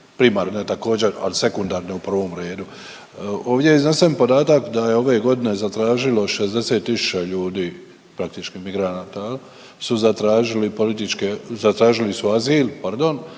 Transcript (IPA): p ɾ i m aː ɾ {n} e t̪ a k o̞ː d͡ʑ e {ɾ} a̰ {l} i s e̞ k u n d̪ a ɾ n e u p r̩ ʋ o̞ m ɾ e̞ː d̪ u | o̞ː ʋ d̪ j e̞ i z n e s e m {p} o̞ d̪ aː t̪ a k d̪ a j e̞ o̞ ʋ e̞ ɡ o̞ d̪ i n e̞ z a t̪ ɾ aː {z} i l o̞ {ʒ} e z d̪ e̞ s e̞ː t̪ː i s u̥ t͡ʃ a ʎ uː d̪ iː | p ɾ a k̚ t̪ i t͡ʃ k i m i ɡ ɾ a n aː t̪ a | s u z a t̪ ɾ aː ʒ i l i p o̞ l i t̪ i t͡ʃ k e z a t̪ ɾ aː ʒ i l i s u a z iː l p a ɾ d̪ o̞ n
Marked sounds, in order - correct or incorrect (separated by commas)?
correct, correct, correct, correct, incorrect, incorrect